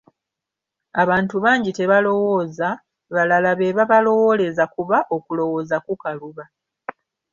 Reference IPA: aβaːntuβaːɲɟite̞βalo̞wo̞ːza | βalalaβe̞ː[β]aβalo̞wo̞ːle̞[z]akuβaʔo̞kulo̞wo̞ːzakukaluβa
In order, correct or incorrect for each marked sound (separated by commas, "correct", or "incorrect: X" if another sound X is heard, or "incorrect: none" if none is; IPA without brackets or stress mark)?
correct, correct